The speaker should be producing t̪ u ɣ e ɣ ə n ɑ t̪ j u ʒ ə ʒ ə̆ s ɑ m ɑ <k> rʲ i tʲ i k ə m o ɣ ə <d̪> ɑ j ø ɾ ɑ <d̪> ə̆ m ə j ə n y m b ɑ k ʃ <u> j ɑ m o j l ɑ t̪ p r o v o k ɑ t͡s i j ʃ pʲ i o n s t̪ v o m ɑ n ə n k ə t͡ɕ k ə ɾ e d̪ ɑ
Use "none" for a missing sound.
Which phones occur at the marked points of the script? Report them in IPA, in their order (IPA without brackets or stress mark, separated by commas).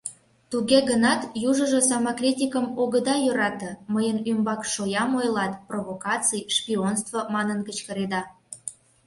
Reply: k, d̪, t̪, o